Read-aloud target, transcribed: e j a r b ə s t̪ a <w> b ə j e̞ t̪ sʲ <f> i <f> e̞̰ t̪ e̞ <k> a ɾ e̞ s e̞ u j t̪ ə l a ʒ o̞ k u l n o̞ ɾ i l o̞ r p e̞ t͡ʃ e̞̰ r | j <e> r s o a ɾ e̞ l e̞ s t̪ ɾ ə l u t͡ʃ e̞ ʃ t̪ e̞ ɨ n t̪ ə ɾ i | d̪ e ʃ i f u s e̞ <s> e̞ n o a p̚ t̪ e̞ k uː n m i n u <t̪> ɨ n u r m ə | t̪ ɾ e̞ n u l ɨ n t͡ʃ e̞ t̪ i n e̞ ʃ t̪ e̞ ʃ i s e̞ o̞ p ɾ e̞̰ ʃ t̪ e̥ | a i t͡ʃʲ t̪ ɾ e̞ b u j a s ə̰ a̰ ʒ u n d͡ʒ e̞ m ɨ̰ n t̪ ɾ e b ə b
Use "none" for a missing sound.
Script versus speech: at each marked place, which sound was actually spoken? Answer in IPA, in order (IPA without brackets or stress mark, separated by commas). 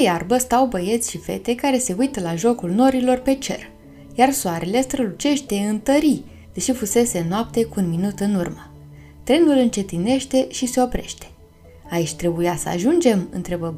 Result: w, ʃ, f, k, a, s, t̪